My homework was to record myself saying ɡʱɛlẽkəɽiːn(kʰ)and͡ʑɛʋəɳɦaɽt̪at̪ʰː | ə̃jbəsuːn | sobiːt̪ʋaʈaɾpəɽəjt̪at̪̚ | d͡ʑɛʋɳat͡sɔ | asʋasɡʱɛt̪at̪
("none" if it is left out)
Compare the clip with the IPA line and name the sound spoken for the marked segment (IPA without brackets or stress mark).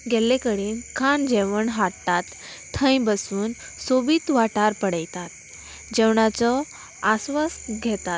kʰ